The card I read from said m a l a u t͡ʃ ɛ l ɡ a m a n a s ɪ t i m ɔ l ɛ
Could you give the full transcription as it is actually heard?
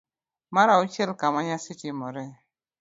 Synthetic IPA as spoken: m a ɾ a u t͡ʃ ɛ l k a m a ɲ a s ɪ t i m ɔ ɾ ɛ